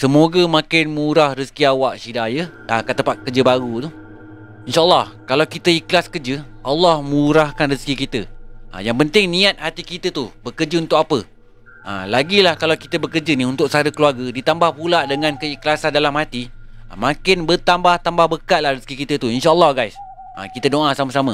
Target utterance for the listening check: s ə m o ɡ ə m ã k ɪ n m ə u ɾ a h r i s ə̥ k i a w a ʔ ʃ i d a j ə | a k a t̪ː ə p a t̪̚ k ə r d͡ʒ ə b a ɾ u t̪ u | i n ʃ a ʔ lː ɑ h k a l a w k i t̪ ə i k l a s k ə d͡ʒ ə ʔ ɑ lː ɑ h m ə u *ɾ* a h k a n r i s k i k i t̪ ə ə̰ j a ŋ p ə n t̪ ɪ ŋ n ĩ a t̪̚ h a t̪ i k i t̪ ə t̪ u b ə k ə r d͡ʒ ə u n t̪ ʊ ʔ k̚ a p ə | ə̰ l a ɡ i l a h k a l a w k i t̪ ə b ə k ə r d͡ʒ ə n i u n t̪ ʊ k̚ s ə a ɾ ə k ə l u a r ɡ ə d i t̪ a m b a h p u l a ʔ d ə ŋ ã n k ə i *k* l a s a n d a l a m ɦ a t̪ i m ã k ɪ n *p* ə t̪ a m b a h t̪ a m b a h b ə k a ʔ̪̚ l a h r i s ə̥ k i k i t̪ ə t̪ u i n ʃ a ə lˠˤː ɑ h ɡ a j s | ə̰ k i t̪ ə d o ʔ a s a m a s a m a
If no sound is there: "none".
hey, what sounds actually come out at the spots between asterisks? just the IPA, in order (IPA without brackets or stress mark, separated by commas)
ɾ, k, b